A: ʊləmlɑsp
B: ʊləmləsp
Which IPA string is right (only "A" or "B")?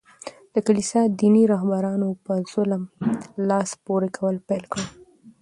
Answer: A